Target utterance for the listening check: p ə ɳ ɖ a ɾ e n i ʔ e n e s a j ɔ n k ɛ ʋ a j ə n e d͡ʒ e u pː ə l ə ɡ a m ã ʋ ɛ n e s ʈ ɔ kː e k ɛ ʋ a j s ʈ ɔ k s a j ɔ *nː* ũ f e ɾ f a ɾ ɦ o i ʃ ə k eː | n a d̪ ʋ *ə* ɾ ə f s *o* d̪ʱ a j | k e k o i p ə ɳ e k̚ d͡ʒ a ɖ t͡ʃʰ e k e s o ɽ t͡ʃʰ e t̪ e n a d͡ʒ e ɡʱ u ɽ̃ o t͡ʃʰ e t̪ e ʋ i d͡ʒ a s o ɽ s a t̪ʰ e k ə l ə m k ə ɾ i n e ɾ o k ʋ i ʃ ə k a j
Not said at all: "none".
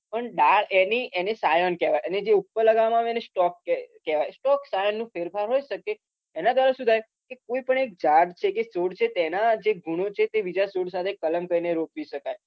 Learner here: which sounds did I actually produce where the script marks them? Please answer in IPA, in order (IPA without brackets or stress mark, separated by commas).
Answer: nː, a, u